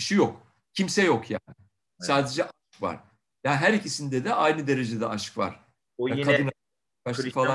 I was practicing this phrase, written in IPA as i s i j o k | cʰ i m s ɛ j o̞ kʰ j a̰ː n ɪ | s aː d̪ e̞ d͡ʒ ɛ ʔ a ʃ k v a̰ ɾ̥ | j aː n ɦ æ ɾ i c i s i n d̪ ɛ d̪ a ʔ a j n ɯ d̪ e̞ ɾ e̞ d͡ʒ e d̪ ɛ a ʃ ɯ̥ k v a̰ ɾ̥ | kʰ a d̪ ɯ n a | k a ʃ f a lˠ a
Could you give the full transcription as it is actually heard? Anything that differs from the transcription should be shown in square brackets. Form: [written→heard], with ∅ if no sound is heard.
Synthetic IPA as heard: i [s→ʃ] i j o k | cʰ i m s ɛ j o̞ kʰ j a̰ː n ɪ | s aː d̪ e̞ d͡ʒ ɛ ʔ a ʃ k v a̰ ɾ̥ | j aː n ɦ æ ɾ i c i s i n d̪ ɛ d̪ [a→ɛ] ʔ a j n ɯ d̪ e̞ ɾ e̞ d͡ʒ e d̪ ɛ a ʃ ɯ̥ k v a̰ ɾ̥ | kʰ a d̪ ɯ n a | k a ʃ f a lˠ a